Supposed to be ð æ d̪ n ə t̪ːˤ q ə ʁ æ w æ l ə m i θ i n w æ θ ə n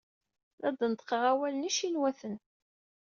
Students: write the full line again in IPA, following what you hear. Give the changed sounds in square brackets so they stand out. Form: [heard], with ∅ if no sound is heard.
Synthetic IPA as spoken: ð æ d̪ n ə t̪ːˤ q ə ʁ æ w æ l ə [n] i [ʃ] i n w æ θ ə n